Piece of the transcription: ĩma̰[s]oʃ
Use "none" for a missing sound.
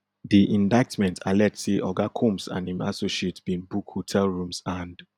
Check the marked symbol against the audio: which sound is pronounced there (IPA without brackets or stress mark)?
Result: s